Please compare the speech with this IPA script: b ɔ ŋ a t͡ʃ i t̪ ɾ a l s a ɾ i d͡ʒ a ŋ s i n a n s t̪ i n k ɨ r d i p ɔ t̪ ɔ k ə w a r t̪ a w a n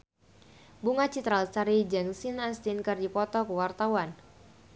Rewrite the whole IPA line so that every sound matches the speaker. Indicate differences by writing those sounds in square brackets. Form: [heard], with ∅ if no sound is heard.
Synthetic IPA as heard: b [u] ŋ a t͡ʃ i t̪ ɾ a l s a ɾ i d͡ʒ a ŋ s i n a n s t̪ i n k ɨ r d i p ɔ t̪ ɔ k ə w a r t̪ a w a n